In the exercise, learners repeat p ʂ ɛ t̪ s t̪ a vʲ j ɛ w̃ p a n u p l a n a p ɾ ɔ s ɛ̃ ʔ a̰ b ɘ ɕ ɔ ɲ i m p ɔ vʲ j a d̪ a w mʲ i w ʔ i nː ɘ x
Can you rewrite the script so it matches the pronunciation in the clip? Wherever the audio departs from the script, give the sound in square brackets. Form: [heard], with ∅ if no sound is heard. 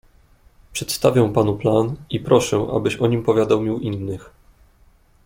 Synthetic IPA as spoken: p ʂ ɛ t̪ s t̪ a vʲ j ɛ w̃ p a n u p l a n [i] p ɾ ɔ [ʂ] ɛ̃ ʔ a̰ b ɘ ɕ ɔ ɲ i m p ɔ vʲ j a d̪ a w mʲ i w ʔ i nː ɘ x